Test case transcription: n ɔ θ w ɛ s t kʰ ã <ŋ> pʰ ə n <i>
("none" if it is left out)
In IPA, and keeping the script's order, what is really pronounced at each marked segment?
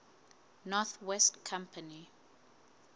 m, i

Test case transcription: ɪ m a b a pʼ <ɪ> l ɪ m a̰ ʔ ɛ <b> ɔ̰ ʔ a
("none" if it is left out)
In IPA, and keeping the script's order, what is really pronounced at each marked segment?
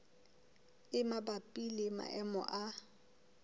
i, m

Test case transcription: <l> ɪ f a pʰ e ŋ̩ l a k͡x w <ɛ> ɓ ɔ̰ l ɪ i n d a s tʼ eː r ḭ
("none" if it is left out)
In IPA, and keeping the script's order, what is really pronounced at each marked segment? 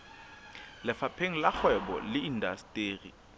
l, ɛ

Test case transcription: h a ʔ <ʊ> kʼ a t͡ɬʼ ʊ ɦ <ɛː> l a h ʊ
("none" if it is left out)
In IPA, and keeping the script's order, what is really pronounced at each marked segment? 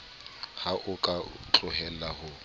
ʊ, ɛ

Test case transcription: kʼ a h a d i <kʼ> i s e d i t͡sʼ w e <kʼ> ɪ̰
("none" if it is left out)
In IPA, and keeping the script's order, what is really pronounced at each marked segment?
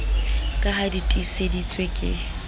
tʼ, kʼ

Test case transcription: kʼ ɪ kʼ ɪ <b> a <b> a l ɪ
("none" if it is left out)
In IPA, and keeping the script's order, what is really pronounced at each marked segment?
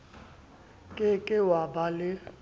w, b

